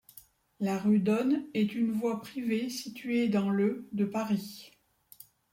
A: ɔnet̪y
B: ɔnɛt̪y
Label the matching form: B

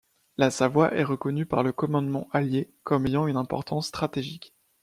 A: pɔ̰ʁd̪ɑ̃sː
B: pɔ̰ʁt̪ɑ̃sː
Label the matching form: B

